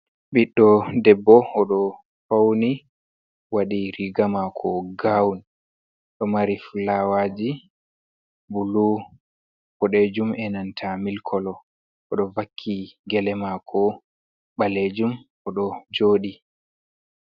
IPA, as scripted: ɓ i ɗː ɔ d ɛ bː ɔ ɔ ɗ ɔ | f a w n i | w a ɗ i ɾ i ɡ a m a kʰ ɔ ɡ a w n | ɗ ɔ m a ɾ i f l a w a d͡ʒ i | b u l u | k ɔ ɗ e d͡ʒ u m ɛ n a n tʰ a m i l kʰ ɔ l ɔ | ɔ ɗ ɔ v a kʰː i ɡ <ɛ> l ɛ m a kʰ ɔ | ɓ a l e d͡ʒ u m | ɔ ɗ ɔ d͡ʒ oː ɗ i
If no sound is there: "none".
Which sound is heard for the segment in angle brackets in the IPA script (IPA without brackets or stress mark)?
ɛ